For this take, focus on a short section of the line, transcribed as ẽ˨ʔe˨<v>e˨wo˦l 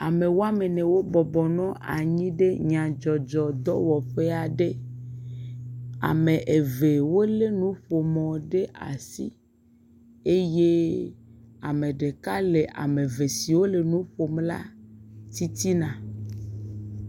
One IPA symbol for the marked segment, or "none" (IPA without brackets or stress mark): v